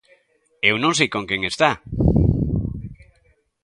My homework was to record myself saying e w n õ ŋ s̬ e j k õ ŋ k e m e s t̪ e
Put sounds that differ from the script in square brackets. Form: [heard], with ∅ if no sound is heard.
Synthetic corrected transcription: e w n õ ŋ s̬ e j k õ ŋ k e [ŋ] e s t̪ [a]